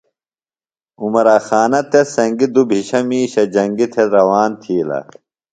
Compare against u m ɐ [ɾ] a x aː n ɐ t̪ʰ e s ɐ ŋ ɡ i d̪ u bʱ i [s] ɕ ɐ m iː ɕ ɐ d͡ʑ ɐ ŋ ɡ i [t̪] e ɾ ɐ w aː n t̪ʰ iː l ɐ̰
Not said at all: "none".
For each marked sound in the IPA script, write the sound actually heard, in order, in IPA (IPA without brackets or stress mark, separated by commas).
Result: ɾ, none, t̪ʰ